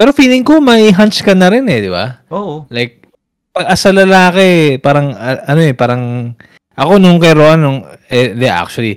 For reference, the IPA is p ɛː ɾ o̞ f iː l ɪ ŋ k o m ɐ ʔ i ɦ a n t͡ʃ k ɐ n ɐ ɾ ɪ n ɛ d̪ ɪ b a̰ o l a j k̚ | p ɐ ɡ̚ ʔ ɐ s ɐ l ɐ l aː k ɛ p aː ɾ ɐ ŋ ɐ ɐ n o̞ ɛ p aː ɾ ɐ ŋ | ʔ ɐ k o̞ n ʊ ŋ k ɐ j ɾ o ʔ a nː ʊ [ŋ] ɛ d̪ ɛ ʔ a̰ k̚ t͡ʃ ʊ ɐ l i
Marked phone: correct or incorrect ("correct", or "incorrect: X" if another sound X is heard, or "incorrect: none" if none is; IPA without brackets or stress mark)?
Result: correct